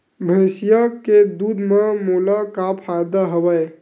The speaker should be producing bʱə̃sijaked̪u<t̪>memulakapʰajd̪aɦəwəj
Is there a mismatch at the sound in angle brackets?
yes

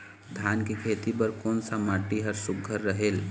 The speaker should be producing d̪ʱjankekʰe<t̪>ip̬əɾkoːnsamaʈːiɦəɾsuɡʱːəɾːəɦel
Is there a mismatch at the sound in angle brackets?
no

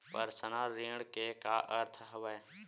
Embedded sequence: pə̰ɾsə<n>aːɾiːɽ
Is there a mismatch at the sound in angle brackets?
no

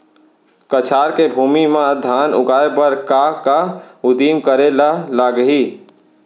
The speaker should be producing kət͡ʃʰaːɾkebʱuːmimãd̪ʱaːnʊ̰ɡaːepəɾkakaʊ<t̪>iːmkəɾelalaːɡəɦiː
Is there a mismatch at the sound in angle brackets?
yes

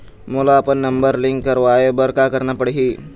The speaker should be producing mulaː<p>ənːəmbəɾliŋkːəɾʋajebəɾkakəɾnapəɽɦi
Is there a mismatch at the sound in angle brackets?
no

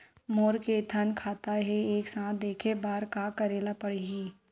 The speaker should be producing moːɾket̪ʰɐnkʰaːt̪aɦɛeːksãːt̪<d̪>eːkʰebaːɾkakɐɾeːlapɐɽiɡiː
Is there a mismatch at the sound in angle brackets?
no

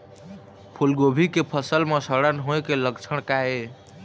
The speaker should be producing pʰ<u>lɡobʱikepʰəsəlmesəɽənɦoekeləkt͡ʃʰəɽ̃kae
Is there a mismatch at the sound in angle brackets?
no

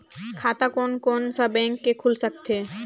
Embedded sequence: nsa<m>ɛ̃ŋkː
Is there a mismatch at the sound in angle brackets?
yes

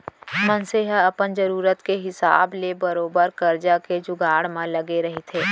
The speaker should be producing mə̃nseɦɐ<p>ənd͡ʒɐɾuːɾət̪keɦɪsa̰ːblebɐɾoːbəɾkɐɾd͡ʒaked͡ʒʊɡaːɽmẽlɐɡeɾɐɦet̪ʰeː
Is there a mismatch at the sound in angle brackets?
no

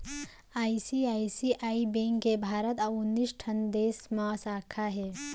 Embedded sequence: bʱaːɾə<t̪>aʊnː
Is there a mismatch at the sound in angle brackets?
no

